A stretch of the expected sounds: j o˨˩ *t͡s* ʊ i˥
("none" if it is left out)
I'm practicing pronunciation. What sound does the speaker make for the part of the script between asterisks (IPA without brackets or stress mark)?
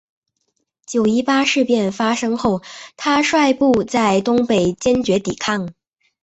none